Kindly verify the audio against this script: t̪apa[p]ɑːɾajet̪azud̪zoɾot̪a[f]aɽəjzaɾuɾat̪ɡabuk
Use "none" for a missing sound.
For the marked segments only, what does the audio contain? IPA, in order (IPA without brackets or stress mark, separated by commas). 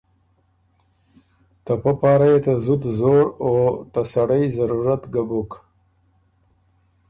p, s